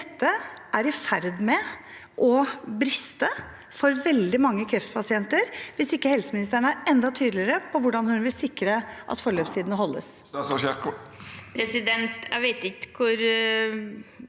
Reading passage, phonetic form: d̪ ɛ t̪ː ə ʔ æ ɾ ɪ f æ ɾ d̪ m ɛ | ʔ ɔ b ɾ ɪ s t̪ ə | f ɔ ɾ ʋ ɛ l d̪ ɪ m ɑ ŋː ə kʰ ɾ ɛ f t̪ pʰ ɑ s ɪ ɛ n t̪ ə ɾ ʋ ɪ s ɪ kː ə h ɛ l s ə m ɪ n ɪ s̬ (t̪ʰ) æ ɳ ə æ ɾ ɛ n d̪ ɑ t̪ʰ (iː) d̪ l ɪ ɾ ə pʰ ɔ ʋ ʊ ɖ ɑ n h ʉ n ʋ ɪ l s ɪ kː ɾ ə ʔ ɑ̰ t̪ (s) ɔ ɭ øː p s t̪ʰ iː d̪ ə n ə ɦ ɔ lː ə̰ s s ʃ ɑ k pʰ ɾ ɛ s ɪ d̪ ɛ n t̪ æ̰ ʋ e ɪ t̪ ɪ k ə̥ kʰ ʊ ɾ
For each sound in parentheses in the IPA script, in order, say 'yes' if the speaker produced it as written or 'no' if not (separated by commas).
no, no, no